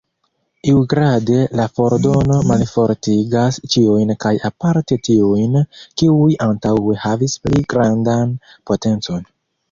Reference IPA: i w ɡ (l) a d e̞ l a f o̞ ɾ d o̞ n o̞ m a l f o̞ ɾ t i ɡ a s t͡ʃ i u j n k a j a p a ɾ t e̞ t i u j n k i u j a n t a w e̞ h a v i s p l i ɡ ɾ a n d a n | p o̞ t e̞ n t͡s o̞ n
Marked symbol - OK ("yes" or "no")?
no